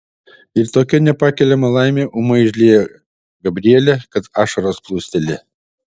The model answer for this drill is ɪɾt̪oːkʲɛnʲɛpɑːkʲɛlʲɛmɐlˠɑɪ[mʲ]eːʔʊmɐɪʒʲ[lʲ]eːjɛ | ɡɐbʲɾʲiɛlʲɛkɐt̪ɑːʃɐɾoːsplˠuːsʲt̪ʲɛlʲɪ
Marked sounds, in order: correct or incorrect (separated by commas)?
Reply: correct, correct